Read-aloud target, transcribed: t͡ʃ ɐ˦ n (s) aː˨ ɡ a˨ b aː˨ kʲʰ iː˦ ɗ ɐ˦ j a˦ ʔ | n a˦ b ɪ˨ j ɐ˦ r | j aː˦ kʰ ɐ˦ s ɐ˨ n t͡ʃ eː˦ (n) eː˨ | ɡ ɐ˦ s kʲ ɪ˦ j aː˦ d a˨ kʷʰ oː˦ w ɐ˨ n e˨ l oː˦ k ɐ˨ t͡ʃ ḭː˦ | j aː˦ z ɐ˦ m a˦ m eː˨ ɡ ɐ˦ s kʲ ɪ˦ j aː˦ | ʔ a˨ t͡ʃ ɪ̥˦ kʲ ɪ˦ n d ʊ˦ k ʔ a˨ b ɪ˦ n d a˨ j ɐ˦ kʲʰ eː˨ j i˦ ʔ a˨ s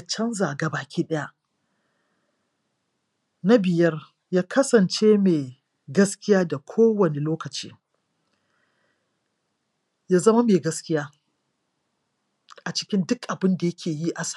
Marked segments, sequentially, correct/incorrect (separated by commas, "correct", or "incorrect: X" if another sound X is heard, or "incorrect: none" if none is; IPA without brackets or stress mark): incorrect: z, incorrect: m